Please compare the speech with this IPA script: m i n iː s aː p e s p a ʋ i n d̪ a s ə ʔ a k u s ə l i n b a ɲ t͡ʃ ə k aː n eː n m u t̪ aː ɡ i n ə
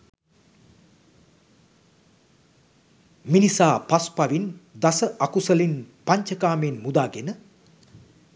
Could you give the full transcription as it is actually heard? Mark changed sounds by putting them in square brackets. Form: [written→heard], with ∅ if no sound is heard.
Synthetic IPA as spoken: m i n [iː→i] s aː p [e→a] s p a ʋ i n d̪ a s ə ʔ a k u s ə l i n [b→p] a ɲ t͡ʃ ə k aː [n→m] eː n m u [t̪→d̪] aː ɡ [i→e] n ə